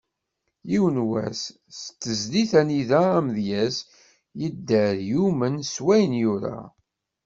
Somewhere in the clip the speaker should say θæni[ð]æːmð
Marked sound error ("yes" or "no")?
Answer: no